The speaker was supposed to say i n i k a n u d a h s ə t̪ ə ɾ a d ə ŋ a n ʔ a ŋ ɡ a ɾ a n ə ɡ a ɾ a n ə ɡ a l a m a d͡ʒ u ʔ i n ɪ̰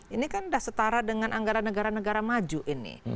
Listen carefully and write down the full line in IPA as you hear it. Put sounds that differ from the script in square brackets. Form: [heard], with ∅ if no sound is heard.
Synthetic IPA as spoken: i n i k a n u d a h s ə t̪ [a] ɾ a d ə ŋ a n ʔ a ŋ ɡ a ɾ a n ə ɡ a ɾ a n ə ɡ a [ɾ] a m a d͡ʒ u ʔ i n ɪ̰